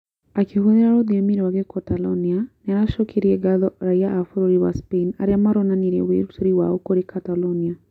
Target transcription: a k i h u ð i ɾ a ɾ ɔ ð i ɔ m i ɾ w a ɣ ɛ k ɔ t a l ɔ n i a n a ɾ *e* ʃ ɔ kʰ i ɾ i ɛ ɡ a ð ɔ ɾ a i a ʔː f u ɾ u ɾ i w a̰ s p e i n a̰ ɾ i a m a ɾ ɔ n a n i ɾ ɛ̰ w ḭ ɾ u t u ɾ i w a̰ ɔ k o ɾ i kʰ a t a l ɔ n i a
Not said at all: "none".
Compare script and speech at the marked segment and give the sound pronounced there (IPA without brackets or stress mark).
a